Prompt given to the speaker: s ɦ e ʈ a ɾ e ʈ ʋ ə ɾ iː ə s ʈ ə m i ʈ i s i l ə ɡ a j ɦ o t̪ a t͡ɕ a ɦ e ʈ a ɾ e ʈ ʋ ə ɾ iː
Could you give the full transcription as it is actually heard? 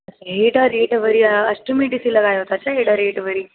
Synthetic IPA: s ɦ e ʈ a ɾ e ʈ ʋ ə ɾ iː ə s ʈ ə m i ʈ i s i l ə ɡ a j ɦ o t̪ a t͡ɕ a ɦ e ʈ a ɾ e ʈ ʋ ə ɾ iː